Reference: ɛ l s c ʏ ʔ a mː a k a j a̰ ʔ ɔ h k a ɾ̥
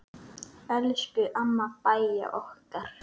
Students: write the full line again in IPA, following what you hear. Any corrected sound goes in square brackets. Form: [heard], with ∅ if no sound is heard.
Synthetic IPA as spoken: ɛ l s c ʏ ʔ a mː a [p] a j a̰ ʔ ɔ h k a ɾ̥